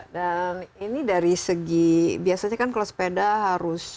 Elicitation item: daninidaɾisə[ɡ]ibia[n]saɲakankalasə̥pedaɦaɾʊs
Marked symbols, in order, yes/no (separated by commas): yes, no